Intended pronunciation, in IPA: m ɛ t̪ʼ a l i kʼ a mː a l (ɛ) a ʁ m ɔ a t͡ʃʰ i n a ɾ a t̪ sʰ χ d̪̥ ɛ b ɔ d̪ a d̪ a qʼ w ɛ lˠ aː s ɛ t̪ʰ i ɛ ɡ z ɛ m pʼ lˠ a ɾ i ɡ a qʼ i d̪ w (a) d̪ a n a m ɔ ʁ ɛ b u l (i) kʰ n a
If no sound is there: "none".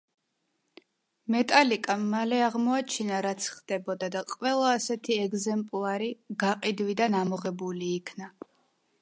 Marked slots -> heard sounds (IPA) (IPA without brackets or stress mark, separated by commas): ɛ, i, iː